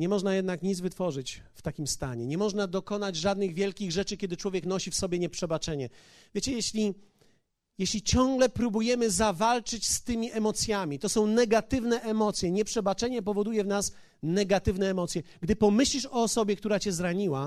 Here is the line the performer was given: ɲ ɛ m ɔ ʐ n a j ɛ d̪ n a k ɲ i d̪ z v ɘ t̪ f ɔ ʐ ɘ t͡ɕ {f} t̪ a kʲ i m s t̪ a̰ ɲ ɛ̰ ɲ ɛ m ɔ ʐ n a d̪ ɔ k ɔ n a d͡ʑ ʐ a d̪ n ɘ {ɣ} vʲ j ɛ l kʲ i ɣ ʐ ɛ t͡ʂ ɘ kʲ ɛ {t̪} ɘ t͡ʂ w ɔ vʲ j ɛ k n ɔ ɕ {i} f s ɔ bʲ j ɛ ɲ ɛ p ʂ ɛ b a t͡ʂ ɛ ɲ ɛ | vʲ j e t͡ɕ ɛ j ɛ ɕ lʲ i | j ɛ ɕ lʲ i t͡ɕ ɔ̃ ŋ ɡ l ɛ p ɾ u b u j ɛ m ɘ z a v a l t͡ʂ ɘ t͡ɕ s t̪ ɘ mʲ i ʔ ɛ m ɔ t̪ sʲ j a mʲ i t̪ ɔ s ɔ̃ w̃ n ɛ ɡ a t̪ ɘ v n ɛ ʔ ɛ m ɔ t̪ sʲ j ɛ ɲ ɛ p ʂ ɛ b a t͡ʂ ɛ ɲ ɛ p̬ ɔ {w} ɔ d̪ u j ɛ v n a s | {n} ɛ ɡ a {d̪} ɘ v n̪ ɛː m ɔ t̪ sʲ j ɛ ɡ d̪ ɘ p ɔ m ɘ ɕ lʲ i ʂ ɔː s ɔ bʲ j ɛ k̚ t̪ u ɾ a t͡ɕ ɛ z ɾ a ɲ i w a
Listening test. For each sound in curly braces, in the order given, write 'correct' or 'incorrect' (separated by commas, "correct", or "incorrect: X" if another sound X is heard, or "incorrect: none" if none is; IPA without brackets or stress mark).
correct, correct, incorrect: d̪, correct, incorrect: v, correct, incorrect: t̪